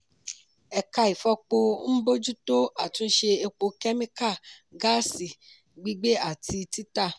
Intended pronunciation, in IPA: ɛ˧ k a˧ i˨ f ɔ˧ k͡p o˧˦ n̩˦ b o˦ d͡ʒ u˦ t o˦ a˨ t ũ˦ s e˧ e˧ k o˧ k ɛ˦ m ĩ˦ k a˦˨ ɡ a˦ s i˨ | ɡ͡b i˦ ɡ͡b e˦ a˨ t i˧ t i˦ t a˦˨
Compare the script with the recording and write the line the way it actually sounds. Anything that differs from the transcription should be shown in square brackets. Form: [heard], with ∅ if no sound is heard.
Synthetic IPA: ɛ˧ k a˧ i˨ f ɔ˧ k͡p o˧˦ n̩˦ b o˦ d͡ʒ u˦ t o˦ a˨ t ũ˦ [ʃ] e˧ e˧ [k͡p] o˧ k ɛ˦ m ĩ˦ k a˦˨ ɡ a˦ s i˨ | ɡ͡b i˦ ɡ͡b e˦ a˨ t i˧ t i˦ t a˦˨